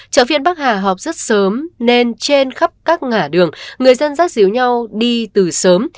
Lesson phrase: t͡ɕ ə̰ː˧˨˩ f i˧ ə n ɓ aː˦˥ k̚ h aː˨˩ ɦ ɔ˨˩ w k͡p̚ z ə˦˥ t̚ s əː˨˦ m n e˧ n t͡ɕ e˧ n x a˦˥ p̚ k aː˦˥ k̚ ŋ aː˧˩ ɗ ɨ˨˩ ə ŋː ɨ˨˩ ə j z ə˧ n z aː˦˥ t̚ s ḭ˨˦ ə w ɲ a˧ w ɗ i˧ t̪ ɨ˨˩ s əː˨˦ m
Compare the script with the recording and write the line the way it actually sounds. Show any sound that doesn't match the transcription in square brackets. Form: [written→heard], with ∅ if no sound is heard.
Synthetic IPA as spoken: t͡ɕ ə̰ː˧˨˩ f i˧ ə n ɓ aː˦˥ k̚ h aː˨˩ ɦ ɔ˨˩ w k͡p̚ z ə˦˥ t̚ s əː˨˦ m n e˧ n t͡ɕ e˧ n x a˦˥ p̚ k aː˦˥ k̚ ŋ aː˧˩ ɗ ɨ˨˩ ə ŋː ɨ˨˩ ə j z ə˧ n z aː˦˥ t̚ [s→z] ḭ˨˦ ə w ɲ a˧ w ɗ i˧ t̪ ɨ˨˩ s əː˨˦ m

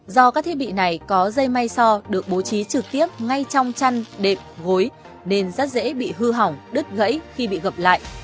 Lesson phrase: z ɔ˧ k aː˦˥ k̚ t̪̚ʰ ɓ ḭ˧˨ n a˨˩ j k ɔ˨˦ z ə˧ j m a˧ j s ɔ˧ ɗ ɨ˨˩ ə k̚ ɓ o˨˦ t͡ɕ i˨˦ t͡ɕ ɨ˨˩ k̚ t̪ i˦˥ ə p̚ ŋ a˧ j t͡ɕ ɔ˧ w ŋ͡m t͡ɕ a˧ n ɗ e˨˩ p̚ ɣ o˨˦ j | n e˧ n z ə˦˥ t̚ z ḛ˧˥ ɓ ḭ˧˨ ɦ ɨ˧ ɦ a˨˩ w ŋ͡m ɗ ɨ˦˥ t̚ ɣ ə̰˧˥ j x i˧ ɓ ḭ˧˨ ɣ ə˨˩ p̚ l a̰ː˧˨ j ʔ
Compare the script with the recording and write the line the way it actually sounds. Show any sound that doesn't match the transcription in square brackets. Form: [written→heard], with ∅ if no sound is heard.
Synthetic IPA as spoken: z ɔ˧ k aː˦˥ k̚ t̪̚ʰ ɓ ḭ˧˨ n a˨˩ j k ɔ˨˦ z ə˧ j m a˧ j s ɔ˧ ɗ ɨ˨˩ ə k̚ ɓ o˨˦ t͡ɕ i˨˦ t͡ɕ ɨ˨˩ k̚ t̪ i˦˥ ə p̚ ŋ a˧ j t͡ɕ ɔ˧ w ŋ͡m t͡ɕ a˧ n ɗ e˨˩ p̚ ɣ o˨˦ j | n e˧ n z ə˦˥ t̚ z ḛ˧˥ ɓ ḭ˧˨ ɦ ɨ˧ ɦ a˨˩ w ŋ͡m ɗ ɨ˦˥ t̚ ɣ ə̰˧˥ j x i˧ ɓ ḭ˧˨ ɣ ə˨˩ p̚ l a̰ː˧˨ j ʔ

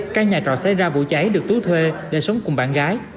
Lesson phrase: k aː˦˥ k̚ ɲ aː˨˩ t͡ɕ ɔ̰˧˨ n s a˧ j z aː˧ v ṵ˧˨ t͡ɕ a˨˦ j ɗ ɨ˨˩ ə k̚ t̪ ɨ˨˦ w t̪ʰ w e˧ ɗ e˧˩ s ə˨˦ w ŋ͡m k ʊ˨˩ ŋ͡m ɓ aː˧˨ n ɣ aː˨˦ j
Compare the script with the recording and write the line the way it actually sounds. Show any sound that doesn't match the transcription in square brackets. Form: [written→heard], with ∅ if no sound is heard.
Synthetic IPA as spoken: k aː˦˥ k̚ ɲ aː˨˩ t͡ɕ ɔ̰˧˨ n s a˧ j z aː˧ v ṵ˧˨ t͡ɕ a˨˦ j ɗ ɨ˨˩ ə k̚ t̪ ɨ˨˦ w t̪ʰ w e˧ ɗ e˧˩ s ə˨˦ w ŋ͡m k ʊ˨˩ ŋ͡m ɓ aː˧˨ n ɣ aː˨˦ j

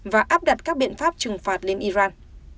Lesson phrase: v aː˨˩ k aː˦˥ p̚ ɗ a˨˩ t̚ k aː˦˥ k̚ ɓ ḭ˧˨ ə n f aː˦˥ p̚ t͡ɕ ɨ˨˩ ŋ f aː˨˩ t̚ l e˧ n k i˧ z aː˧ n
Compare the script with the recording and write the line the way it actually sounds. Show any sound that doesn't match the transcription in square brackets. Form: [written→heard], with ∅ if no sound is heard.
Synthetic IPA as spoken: v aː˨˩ [k→ʔ] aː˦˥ p̚ ɗ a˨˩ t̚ k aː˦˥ k̚ ɓ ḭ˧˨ ə n f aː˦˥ p̚ t͡ɕ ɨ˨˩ ŋ f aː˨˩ t̚ l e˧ n [k→ʔ] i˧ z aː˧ n

